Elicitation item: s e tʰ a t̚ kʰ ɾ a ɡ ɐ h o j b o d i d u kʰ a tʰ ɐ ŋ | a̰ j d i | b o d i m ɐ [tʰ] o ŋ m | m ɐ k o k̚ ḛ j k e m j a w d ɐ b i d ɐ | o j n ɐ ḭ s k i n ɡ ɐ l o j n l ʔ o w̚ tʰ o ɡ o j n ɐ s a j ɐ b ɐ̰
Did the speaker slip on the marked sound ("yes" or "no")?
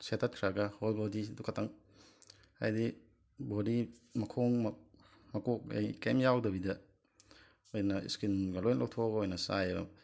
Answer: yes